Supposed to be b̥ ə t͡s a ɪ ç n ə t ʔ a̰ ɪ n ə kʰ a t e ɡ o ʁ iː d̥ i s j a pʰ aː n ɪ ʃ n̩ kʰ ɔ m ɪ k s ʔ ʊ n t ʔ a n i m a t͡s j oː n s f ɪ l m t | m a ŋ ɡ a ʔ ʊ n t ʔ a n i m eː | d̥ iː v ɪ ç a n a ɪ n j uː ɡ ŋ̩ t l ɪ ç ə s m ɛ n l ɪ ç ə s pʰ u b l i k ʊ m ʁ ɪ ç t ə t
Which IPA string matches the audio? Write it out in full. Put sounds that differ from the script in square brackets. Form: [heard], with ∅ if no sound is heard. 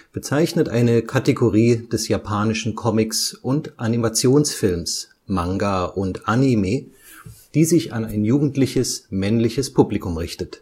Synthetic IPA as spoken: b̥ ə t͡s a ɪ ç n ə t ʔ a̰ ɪ n ə kʰ a t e ɡ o ʁ iː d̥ [ɛ] s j a pʰ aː n ɪ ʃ n̩ kʰ ɔ m ɪ k s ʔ ʊ n t ʔ a n i m a t͡s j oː n s f ɪ l m [s] | m a ŋ ɡ a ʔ ʊ n t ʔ a n i m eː | d̥ iː [z] ɪ ç a n a ɪ n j uː ɡ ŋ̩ t l ɪ ç ə s m ɛ n l ɪ ç ə s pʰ u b l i k ʊ m ʁ ɪ ç t ə t